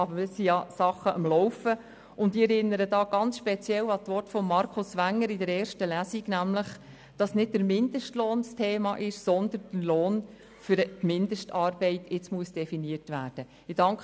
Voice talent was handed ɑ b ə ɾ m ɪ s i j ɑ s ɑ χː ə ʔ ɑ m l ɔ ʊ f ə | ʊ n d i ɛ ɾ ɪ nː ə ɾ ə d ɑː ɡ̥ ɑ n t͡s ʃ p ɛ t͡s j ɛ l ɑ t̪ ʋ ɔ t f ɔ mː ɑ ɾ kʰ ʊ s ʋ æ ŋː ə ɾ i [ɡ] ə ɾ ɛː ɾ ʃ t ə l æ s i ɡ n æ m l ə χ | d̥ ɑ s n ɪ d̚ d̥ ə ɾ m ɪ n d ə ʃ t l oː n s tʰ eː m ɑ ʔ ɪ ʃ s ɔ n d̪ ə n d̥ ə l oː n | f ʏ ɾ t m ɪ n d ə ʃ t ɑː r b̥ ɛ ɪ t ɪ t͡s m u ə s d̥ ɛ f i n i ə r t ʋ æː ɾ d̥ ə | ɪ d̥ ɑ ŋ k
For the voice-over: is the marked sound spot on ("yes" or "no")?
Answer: no